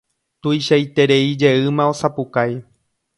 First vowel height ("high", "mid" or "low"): high